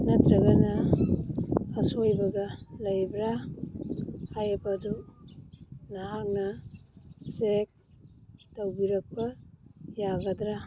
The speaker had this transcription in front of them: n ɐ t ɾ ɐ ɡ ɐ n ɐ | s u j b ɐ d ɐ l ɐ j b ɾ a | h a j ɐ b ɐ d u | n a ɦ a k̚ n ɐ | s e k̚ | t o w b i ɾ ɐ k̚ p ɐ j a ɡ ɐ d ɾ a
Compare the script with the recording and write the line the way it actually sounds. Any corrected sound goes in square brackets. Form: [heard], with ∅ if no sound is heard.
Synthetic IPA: n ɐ t ɾ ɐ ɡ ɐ n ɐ | s [o] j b ɐ [ɡ] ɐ l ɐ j b ɾ a | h a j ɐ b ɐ d u | n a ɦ a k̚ n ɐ | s e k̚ | t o w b i ɾ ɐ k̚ p ɐ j a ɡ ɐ d ɾ a